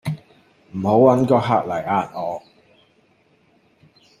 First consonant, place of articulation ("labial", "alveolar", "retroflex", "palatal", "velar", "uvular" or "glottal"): labial